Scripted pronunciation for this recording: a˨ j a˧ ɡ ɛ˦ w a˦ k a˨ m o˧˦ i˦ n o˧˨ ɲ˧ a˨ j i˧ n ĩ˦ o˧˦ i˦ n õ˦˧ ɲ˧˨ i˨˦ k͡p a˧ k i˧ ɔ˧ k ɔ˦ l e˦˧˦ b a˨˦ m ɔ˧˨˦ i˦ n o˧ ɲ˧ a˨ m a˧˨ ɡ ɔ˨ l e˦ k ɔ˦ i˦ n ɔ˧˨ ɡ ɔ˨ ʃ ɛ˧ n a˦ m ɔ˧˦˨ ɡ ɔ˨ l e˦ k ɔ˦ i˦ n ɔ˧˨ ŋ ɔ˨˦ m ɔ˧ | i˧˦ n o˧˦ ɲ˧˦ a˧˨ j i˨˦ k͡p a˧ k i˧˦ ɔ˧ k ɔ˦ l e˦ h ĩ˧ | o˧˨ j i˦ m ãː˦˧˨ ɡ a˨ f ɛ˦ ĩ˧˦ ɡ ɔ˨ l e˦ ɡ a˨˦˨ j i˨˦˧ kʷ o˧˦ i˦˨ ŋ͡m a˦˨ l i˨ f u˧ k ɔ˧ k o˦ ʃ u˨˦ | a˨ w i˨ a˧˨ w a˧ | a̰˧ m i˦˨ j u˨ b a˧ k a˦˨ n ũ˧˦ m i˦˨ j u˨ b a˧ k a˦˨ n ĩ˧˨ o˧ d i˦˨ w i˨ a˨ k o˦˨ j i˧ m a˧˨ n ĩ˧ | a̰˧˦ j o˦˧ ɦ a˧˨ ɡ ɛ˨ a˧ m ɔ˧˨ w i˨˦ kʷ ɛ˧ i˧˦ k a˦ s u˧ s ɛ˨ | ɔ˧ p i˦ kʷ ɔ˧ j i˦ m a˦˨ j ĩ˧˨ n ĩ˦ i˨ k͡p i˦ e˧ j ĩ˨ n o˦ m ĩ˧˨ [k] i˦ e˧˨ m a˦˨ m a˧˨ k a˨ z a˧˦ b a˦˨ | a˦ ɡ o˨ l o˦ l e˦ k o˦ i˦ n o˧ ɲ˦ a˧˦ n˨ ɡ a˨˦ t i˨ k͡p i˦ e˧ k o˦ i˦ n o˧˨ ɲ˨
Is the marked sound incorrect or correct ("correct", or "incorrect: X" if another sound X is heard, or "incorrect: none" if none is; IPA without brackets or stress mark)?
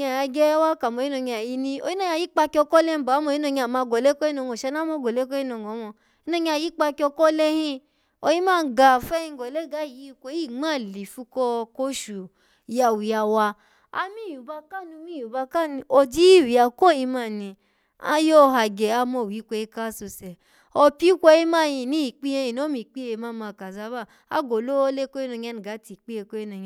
incorrect: k͡p